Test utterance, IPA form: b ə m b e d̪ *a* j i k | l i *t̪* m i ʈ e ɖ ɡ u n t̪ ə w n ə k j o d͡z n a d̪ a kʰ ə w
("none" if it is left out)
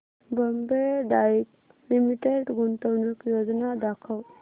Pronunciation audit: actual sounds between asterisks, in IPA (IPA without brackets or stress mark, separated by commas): a, none